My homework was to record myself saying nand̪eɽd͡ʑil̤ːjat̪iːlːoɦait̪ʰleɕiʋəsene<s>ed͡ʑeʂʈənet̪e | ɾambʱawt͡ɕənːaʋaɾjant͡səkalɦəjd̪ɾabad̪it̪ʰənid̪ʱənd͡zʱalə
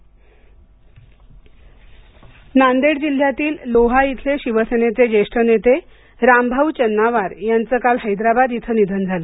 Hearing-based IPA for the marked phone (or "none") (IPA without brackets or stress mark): t͡s